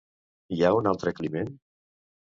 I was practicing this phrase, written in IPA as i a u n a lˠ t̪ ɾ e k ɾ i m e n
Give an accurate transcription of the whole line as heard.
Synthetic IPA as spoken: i a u n a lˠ t̪ ɾ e k l i m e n